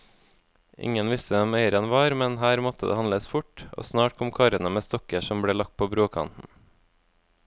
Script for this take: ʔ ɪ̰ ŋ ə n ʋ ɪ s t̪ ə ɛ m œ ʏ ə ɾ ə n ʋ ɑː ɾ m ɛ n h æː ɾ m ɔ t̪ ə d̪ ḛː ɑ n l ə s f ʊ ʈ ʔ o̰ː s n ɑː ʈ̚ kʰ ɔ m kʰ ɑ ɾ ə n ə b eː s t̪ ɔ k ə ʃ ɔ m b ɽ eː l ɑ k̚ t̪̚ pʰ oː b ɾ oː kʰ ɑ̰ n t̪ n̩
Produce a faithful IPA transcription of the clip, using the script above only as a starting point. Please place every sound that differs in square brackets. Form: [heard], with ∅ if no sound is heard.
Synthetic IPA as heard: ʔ ɪ̰ ŋ ə n ʋ ɪ s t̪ ə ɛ m œ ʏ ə ɾ ə n ʋ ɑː ɾ m ɛ n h æː ɾ m ɔ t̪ ə d̪ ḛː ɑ n l ə s f ʊ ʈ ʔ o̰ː s n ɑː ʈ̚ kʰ ɔ m kʰ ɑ ɾ ə n ə [m] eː s t̪ ɔ k ə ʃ ɔ m b ɽ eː l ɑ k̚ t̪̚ pʰ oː b ɾ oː kʰ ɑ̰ n t̪ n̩